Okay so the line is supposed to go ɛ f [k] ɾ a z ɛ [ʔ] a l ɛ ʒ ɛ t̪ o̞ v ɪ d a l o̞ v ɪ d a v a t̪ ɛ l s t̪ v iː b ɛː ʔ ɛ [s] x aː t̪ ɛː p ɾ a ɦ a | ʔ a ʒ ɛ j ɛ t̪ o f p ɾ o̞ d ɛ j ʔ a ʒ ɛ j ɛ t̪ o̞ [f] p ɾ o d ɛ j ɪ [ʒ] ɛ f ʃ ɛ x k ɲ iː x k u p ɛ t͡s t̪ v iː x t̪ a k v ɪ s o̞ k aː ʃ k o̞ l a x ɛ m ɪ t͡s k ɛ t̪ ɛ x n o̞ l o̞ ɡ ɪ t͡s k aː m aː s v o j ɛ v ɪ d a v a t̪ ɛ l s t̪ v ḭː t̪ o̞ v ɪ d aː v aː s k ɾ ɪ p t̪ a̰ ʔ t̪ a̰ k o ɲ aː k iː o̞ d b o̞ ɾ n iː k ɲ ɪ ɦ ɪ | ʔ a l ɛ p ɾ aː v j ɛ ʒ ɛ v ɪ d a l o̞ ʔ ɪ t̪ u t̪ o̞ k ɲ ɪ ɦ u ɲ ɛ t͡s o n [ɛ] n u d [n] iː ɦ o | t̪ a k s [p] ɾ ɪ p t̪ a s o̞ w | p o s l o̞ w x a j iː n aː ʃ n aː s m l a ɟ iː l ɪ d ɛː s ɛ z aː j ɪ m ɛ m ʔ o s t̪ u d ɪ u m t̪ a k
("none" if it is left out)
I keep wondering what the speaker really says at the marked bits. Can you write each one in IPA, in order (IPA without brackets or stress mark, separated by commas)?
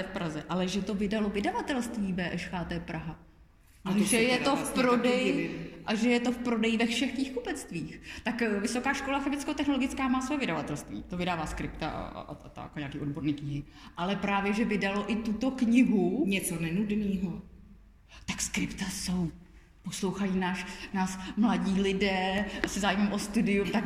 p, ʔ, ʃ, f, v, ɛ, n, k